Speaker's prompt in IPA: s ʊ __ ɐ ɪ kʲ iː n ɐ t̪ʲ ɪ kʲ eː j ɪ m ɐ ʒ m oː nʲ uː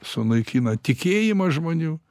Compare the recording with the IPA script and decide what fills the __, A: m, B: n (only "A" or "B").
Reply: B